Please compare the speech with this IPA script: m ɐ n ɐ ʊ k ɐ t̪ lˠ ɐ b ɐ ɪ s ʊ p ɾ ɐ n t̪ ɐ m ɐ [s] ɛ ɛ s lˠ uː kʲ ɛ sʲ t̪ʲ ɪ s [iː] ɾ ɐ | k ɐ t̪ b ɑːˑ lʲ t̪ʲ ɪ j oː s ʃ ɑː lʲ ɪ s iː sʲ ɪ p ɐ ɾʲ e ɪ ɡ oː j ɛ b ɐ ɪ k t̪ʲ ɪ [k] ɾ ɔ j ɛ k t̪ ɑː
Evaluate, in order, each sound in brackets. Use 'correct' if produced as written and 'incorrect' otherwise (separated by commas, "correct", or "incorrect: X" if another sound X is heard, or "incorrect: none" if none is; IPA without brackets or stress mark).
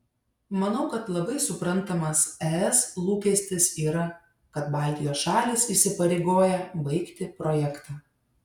correct, correct, incorrect: p